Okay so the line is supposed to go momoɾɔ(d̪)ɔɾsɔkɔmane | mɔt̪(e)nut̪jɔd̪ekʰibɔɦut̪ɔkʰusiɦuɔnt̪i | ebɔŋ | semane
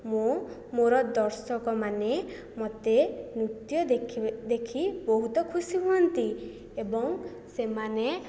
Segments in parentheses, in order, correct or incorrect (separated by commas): correct, correct